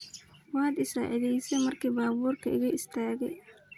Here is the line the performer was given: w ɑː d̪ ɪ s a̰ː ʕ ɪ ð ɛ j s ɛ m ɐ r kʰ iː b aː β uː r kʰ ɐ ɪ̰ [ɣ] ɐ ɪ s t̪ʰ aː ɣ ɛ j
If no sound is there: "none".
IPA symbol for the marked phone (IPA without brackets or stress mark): ɣ